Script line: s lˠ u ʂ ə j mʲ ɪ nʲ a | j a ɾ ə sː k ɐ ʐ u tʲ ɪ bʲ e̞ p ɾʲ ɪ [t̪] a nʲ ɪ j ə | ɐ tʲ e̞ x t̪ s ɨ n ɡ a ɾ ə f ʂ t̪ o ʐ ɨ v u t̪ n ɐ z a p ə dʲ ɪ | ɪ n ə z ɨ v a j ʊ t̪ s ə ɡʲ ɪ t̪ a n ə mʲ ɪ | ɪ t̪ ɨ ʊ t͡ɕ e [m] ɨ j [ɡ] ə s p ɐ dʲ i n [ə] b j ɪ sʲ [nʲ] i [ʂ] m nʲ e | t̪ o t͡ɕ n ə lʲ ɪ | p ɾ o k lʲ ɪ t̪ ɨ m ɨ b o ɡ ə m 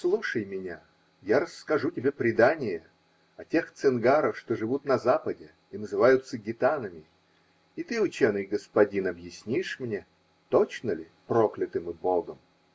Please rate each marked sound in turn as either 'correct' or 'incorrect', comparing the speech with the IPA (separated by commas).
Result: incorrect, incorrect, correct, incorrect, correct, correct